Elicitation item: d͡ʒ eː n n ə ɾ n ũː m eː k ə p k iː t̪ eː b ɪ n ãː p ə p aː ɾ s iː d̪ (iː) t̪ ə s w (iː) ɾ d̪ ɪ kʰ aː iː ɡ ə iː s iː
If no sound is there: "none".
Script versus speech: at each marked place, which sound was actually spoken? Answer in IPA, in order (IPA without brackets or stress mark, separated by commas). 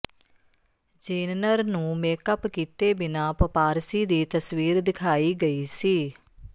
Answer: iː, iː